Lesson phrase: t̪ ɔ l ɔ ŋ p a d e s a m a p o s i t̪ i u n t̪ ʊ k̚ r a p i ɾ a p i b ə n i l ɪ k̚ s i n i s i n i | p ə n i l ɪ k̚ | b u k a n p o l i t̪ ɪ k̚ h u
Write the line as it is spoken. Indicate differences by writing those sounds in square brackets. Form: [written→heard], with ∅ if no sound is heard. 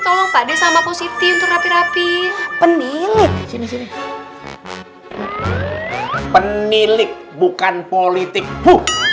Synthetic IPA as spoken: t̪ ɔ l ɔ ŋ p a d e s a m a p o s i t̪ i u n t̪ ʊ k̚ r a p i ɾ a p i [b→p] ə n i l ɪ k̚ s i n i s i n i | p ə n i l ɪ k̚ | b u k a n p o l i t̪ ɪ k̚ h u